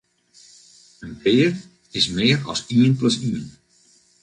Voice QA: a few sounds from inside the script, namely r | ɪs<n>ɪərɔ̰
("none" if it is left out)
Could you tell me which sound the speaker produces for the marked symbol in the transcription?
m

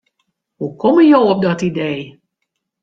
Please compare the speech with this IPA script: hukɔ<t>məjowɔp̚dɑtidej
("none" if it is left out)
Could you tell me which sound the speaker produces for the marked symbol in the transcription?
none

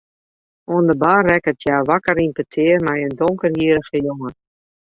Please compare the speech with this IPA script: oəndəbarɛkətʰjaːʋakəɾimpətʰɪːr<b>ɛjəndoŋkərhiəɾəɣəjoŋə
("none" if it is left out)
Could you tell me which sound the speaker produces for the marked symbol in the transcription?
m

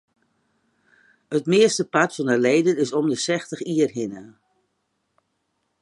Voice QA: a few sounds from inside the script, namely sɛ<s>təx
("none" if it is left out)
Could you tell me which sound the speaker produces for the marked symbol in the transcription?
x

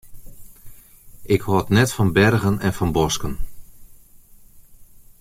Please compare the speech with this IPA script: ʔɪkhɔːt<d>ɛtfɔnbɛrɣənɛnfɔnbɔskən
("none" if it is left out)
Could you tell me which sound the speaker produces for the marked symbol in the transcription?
n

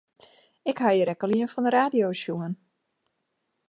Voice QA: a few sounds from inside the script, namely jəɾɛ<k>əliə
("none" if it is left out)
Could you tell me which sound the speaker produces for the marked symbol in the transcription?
k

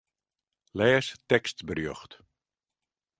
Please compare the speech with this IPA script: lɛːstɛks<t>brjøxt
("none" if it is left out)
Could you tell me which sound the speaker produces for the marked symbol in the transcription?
t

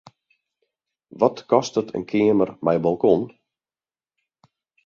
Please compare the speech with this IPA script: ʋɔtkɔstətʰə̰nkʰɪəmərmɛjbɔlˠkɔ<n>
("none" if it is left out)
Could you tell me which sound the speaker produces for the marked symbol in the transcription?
n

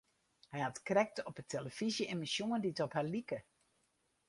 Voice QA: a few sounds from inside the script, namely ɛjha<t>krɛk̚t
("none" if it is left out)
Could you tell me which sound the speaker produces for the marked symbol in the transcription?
t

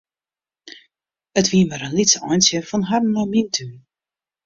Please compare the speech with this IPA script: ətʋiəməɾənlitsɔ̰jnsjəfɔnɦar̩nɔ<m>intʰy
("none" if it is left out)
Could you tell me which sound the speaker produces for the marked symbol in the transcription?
m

